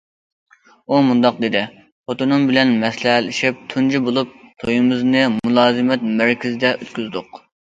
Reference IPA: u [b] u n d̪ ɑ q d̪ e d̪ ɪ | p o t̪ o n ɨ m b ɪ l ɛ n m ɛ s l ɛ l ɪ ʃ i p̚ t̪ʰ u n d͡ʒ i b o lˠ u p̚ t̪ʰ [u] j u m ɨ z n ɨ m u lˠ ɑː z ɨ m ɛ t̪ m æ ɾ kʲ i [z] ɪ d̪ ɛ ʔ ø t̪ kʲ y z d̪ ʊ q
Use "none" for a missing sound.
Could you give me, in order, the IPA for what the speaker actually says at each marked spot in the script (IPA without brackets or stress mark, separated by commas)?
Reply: m, o, z